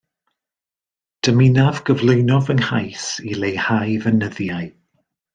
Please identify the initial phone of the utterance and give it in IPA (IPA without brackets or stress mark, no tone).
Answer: d̥